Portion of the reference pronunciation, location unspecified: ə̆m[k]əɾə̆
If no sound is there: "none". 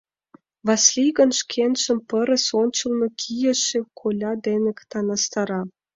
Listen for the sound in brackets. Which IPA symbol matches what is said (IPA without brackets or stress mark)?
p